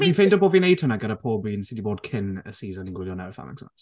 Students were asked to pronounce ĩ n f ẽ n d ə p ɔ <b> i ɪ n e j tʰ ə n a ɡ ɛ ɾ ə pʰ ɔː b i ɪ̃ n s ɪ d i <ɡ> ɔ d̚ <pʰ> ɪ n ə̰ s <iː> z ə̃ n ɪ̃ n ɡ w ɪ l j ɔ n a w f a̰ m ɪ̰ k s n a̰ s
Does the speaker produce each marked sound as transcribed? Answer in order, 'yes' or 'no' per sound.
no, no, no, yes

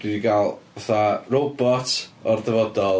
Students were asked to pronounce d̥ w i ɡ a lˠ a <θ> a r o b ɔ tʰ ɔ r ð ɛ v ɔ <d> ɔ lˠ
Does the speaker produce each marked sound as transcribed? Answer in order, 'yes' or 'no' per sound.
yes, yes

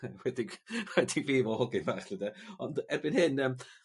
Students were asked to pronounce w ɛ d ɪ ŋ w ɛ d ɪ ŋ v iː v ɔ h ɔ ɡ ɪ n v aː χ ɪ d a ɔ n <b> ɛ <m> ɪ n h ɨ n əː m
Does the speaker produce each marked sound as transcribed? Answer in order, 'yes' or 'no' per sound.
no, no

